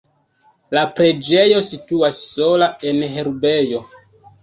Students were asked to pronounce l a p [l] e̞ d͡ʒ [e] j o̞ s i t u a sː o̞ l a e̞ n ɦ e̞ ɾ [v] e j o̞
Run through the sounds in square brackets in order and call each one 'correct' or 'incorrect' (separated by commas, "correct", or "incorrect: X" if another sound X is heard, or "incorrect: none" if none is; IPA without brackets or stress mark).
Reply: incorrect: ɾ, correct, incorrect: b